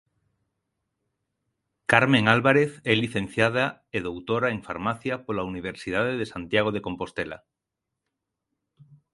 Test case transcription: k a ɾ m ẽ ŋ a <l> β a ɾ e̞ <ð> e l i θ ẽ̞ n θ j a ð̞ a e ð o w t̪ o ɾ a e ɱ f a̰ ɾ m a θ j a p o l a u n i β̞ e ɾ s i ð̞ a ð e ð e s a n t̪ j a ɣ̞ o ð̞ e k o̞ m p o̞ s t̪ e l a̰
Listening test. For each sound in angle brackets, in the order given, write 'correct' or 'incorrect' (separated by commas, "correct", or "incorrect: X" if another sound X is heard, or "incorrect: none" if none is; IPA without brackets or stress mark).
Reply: correct, incorrect: θ